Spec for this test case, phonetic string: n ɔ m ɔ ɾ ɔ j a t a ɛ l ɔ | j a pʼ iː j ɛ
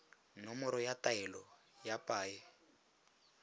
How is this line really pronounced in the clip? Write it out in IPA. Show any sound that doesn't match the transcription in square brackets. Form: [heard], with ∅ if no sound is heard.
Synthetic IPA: n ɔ m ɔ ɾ ɔ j a t a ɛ l ɔ | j a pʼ [aː] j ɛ

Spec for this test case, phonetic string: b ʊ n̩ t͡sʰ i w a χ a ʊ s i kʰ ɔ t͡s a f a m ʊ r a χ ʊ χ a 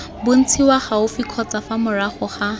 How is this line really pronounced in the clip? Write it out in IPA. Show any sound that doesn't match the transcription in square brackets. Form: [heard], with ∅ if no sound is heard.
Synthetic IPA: b ʊ n̩ t͡sʰ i w a χ a ʊ [f] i kʰ ɔ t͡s a f a m ʊ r a χ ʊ χ a

